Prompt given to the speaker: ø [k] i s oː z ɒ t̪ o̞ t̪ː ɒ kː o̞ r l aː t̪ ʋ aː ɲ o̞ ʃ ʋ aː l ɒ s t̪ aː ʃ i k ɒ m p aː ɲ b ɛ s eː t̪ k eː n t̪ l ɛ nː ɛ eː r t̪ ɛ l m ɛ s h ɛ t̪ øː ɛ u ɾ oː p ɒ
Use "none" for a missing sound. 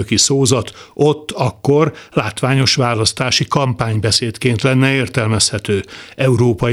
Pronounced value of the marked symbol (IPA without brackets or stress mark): k